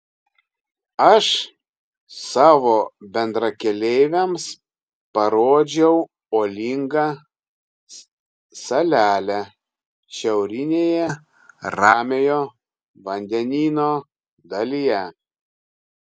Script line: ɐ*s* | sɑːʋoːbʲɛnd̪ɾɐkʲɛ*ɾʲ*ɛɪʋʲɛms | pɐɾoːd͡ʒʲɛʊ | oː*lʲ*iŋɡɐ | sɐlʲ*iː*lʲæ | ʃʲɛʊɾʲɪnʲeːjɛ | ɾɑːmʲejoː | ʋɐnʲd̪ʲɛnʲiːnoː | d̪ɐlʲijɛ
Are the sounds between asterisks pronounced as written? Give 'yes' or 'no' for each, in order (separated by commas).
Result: no, no, yes, no